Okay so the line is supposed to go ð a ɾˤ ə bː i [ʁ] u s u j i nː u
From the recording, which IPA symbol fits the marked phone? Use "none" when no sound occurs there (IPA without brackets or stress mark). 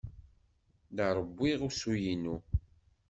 ʁ